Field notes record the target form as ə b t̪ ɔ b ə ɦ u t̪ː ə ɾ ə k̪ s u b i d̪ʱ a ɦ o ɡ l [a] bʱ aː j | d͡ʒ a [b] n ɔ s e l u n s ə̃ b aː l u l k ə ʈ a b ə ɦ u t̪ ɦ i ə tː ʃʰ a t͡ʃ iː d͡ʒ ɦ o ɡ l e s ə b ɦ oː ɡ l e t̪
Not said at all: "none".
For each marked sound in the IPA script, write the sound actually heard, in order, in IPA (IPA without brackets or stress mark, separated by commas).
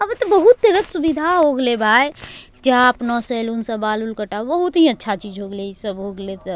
e, p